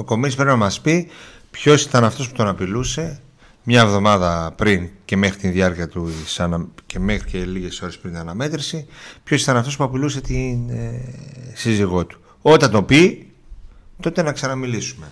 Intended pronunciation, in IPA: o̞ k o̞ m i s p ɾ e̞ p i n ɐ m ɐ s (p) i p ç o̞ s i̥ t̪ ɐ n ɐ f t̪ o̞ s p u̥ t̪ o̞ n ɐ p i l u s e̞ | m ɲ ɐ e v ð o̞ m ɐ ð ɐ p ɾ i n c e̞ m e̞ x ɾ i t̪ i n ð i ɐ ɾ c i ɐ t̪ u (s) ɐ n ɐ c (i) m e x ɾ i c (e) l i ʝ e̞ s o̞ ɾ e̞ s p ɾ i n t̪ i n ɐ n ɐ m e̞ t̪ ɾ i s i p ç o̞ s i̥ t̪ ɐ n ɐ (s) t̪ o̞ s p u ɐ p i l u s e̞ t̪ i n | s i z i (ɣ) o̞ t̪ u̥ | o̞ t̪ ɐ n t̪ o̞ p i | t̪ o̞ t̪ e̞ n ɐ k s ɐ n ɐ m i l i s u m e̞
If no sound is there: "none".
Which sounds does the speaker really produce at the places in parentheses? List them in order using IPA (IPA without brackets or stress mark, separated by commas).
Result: p, s, e, e, f, ɣ